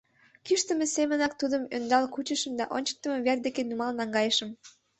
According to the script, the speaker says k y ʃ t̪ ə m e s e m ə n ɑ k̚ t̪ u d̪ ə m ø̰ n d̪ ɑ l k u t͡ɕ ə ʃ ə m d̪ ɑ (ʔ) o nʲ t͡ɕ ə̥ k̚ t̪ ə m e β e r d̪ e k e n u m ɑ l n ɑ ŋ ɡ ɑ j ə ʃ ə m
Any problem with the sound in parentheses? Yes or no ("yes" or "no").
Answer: no